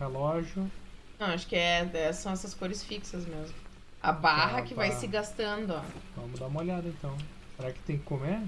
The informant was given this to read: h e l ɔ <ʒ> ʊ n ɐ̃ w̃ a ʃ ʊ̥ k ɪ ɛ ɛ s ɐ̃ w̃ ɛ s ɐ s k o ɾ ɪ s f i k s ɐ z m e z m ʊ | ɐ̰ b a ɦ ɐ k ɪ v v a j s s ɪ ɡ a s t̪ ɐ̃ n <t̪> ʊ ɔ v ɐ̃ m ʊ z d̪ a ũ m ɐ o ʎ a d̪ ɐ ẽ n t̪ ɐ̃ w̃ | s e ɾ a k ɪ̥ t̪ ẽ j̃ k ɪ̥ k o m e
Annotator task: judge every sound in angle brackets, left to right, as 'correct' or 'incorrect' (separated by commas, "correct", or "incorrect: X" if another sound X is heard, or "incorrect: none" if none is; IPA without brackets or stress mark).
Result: correct, incorrect: d̪